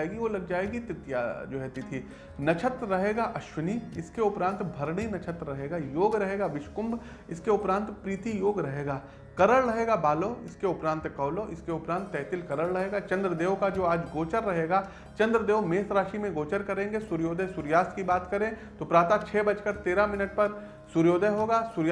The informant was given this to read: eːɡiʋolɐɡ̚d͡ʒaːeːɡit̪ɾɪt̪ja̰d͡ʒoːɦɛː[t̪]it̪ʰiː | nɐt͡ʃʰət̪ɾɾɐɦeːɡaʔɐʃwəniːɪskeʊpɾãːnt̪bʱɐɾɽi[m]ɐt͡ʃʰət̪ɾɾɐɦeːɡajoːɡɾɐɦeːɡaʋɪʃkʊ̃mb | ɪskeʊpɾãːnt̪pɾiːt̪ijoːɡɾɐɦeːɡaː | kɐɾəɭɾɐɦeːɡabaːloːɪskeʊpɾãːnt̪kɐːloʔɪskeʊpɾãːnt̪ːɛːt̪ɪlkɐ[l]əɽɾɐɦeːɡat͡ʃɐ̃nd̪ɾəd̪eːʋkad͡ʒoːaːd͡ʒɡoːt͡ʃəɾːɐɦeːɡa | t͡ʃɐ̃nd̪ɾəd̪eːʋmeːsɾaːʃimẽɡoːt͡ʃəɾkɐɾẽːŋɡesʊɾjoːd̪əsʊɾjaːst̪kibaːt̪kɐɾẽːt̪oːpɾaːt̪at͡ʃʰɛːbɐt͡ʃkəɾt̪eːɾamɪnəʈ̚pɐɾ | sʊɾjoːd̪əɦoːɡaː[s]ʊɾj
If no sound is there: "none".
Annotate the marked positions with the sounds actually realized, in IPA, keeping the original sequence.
t̪, n, ɾ, s

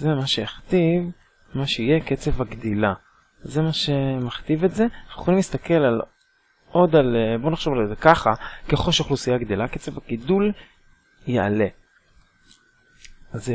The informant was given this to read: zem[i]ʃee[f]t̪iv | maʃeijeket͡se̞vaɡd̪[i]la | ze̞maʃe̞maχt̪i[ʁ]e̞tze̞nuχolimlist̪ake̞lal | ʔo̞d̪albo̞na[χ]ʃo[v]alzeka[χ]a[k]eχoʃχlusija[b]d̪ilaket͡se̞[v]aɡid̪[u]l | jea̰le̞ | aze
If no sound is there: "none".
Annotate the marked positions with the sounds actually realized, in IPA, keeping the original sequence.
a, χ, i, v, χ, v, χ, k, ɡ, v, u

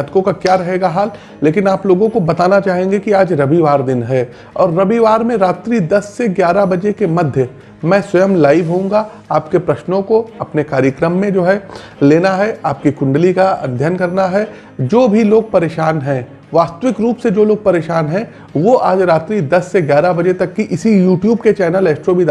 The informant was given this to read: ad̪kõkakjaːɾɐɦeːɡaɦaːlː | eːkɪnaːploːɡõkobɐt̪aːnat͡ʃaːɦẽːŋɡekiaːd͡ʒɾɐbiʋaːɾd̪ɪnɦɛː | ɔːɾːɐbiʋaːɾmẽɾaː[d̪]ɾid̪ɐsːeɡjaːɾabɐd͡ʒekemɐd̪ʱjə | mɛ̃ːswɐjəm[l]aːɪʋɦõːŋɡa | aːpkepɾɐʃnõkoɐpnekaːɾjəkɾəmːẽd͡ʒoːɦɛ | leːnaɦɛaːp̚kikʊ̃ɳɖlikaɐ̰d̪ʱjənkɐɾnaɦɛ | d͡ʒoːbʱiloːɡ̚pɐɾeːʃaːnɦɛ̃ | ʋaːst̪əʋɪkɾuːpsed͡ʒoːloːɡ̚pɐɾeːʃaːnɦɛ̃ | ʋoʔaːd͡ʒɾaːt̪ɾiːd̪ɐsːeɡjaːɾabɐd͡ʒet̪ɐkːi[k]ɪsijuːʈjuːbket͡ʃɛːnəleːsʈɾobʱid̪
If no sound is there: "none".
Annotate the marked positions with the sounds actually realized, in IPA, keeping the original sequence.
t̪, l, ʔ

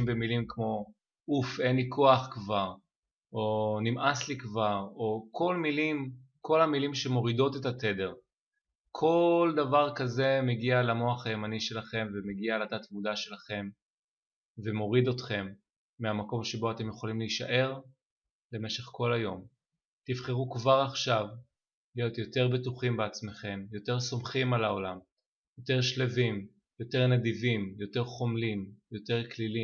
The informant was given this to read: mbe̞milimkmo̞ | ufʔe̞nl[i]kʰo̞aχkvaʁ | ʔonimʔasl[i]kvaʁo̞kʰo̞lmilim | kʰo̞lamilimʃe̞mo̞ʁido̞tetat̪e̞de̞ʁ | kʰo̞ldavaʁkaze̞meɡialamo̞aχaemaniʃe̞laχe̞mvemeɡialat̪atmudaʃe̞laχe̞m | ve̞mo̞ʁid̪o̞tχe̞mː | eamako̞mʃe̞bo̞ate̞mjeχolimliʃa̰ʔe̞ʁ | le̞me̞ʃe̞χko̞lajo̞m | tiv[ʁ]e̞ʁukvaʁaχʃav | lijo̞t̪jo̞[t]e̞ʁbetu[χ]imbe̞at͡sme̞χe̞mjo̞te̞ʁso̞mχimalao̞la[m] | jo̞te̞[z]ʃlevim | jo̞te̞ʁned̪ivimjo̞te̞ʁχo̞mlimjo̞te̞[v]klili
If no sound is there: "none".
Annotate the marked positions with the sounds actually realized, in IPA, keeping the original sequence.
i, i, χ, t, χ, m, ʁ, ʁ

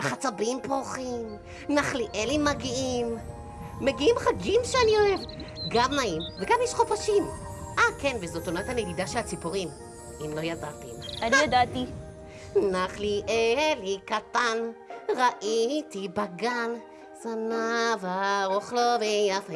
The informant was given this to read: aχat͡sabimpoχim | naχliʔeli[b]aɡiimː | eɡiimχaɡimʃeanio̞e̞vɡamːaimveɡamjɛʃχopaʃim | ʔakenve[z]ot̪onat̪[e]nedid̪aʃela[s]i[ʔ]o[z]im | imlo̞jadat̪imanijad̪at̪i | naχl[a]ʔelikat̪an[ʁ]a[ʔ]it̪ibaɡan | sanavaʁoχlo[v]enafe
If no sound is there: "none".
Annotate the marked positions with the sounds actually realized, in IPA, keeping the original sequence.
m, z, a, t͡s, p, ʁ, i, ʁ, ʔ, v

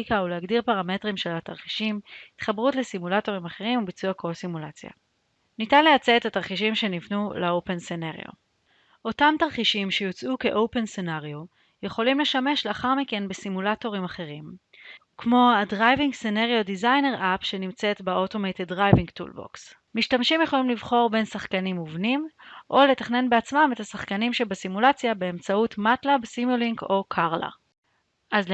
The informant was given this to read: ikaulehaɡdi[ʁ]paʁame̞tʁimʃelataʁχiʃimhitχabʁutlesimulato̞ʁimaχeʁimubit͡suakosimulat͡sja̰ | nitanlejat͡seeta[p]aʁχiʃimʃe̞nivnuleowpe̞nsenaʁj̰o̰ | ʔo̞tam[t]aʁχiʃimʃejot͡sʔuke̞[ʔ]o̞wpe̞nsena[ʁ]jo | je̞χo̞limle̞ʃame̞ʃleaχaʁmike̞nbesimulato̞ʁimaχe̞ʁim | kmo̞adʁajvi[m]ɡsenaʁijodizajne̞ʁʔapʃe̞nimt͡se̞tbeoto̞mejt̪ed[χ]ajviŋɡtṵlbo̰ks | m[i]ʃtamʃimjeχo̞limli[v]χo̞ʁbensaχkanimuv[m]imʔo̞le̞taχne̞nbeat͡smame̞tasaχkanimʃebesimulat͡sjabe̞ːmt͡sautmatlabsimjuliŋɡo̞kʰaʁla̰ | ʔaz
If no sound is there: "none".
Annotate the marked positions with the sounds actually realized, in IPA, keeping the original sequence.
ʁ, t, t, ʔ, ʁ, ŋ, ʁ, i, v, n

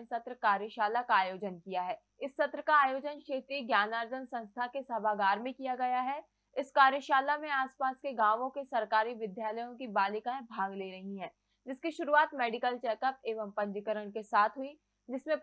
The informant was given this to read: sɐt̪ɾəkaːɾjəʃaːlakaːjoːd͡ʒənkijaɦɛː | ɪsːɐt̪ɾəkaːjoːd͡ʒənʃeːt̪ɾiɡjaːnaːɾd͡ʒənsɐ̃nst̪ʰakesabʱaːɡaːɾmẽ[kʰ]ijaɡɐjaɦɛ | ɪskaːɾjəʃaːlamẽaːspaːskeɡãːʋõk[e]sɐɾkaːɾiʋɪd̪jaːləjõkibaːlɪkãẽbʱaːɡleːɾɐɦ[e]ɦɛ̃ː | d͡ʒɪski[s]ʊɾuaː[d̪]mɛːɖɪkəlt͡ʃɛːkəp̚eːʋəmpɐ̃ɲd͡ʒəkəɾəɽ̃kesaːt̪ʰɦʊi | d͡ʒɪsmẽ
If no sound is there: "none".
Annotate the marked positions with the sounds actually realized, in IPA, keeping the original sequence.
k, e, i, ʃ, t̪

